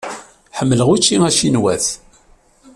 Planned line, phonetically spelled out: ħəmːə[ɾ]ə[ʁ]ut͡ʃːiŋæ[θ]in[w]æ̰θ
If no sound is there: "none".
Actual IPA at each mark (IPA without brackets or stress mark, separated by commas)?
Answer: l, ʁ, ʃ, w